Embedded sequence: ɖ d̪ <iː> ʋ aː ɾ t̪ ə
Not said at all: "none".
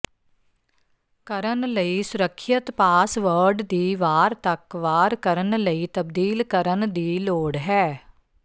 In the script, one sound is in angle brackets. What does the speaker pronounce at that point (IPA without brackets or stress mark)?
iː